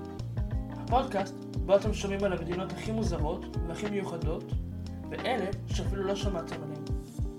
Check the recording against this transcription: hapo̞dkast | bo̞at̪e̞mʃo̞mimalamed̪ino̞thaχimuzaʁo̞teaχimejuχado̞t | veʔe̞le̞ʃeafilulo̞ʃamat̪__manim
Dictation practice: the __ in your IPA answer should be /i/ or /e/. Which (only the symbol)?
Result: e